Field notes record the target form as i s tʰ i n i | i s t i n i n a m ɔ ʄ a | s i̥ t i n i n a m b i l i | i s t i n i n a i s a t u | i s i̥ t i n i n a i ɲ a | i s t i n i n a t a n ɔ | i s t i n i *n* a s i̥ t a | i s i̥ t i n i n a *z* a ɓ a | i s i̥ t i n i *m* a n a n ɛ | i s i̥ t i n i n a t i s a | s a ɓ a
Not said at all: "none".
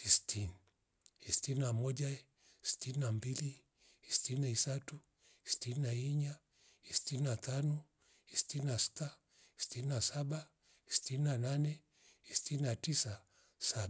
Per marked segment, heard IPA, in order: n, s, n

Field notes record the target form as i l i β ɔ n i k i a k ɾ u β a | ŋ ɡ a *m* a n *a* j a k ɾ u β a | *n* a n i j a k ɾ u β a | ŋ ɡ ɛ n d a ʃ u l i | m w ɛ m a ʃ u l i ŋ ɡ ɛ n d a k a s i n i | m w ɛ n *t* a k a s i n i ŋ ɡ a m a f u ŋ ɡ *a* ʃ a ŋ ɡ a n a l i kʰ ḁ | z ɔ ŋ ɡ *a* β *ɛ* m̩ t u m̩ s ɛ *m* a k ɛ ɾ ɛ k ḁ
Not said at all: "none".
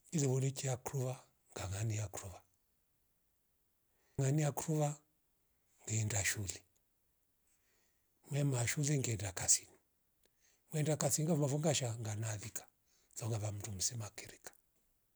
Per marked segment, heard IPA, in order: ŋ, i, ŋ, d, a, a, a, m

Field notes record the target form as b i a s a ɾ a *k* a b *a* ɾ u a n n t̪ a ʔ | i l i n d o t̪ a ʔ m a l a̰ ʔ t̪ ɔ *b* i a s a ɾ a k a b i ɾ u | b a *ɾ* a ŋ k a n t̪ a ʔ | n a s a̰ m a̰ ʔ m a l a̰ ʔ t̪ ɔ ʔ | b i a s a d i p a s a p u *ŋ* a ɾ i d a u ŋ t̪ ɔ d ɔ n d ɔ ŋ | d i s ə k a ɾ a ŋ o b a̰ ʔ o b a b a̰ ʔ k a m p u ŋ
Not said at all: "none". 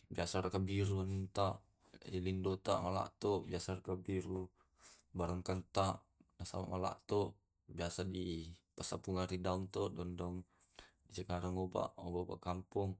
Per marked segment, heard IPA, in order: k, i, b, ɾ, ŋ

